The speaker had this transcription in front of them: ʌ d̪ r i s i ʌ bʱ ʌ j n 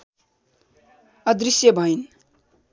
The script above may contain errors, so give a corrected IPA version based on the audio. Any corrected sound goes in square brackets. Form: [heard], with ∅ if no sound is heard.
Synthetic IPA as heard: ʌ d̪ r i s [j] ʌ bʱ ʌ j n